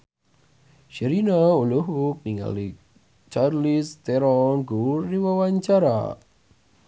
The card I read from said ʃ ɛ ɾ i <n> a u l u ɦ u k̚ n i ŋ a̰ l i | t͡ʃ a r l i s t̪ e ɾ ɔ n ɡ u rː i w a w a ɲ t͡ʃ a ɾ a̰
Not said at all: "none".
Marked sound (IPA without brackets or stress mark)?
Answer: n